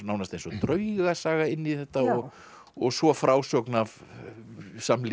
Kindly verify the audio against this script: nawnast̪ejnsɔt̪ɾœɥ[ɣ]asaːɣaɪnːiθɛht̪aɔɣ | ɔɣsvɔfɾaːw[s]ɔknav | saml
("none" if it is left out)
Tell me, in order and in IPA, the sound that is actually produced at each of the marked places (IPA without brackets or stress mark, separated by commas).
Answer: ɣ, s